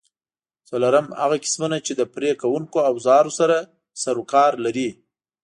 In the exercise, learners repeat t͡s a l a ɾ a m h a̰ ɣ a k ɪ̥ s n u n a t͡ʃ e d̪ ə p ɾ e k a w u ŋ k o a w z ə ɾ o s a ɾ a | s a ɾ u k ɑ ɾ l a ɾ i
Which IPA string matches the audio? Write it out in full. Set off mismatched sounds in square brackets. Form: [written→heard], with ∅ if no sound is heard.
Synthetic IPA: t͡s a l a ɾ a m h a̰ ɣ a k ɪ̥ s [n→m] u n a t͡ʃ e d̪ ə p ɾ e k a w u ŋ k o a w z [ə→ɑ] ɾ o s a ɾ a | s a ɾ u k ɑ ɾ l a ɾ i

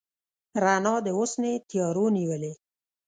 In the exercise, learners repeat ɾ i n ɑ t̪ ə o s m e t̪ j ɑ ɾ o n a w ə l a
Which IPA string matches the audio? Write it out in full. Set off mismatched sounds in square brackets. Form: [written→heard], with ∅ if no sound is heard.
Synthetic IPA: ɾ [i→a] n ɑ [t̪→d̪] ə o s [m→n] e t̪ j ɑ ɾ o n [a→i] w ə l [a→e]

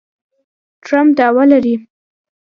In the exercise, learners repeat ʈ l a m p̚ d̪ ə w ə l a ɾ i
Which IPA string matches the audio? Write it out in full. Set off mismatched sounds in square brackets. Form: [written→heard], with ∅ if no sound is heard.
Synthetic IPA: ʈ [l→ɾ] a m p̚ d̪ [ə→ɑ] w [ə→a] l a ɾ i

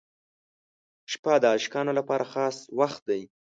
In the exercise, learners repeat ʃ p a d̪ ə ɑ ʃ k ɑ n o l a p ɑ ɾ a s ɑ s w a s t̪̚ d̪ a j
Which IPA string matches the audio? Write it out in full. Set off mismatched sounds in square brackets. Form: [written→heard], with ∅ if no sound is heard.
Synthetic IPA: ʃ p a d̪ ə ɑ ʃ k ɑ n o l a p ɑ ɾ a [s→x] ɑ s w a [s→x] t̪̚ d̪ a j

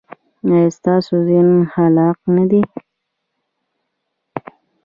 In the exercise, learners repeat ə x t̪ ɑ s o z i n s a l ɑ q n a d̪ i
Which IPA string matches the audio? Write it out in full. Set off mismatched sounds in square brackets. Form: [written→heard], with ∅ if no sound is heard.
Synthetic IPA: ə [x→s] t̪ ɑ s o z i n [s→h] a l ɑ q n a d̪ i

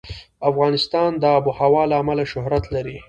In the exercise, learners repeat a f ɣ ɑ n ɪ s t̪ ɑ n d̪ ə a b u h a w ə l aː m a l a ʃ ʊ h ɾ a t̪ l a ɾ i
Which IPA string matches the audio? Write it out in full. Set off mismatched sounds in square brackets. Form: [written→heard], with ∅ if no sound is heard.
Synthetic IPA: a f ɣ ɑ n ɪ s t̪ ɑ n d̪ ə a b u h a w [ə→ɑ] l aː m a l a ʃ ʊ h ɾ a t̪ l a ɾ i

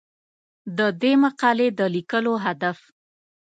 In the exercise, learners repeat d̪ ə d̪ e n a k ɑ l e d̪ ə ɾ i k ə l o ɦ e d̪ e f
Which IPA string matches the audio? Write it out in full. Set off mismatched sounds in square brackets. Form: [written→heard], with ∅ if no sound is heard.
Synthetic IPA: d̪ ə d̪ e [n→m] a [k→q] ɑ l e d̪ ə [ɾ→l] i k ə l o ɦ [e→a] d̪ [e→a] f

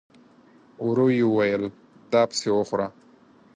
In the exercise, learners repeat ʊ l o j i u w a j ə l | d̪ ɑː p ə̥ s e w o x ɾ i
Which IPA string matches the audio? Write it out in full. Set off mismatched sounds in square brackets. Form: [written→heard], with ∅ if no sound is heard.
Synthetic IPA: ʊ [l→ɾ] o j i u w a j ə l | d̪ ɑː p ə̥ s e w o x ɾ [i→a]

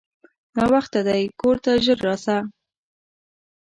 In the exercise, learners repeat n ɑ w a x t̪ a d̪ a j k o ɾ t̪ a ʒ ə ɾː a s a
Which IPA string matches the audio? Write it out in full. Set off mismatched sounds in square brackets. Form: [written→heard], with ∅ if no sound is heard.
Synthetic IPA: n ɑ w a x t̪ a d̪ a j k o ɾ t̪ a ʒ ə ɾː [a→ɑ] s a

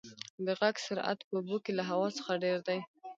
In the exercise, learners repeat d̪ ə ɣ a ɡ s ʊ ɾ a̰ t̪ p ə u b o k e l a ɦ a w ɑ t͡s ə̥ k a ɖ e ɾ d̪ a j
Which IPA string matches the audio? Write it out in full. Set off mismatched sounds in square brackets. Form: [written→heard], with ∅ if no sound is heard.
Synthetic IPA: d̪ ə ɣ a ɡ s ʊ ɾ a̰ t̪ p ə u b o k e l a ɦ a w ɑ t͡s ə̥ [k→x] a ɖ e ɾ d̪ a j

